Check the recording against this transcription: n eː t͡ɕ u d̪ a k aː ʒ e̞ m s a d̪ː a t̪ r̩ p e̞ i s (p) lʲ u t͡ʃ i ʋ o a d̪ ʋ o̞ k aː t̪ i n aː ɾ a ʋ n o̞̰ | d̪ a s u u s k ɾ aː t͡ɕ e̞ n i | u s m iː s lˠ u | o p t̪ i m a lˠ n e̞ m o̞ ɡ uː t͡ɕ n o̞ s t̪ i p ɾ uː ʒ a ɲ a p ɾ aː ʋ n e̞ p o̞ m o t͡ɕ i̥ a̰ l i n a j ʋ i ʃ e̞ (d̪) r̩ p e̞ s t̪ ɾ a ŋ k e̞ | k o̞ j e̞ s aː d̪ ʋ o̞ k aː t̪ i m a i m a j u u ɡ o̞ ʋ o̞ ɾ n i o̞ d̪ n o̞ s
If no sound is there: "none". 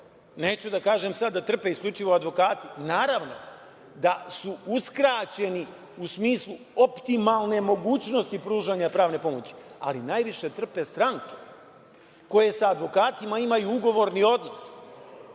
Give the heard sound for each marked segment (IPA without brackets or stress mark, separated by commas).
k, t̪